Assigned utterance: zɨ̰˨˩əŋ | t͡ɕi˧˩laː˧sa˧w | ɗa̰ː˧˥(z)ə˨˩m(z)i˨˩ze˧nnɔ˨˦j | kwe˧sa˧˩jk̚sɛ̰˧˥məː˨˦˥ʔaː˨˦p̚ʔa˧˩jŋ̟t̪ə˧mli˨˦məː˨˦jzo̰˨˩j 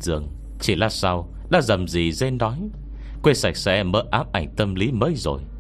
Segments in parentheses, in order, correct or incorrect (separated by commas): correct, correct